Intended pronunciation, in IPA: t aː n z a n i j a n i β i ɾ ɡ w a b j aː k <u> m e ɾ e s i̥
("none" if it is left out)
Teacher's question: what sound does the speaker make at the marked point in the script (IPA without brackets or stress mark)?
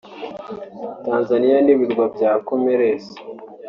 o